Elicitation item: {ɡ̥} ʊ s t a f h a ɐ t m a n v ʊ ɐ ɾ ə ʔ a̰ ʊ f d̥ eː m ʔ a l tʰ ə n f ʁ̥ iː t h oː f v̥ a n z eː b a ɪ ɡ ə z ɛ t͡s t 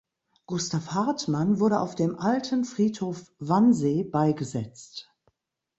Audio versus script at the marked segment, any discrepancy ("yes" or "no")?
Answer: no